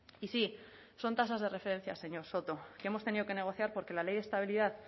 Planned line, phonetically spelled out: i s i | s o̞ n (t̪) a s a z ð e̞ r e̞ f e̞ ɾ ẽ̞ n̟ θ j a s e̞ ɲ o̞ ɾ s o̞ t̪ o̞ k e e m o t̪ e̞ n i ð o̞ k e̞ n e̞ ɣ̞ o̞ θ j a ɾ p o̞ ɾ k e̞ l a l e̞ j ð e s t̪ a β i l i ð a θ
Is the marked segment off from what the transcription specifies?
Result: no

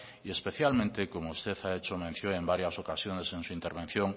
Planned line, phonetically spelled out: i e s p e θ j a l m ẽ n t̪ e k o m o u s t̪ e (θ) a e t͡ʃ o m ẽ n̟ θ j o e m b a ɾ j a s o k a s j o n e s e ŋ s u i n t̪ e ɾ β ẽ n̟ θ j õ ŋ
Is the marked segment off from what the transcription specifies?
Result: no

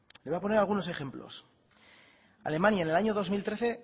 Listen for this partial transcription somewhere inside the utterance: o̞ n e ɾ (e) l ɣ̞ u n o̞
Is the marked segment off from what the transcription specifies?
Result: yes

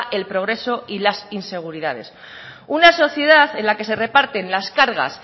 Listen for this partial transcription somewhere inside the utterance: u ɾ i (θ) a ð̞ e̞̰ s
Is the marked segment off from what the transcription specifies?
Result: yes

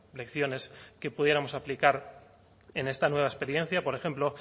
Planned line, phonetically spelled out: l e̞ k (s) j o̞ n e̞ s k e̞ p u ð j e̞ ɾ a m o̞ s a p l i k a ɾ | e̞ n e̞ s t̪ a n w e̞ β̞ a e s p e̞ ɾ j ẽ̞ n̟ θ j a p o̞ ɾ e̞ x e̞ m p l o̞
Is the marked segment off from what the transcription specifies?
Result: yes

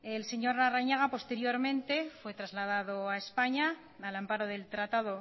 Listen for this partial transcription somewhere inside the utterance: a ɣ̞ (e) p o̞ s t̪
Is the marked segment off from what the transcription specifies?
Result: yes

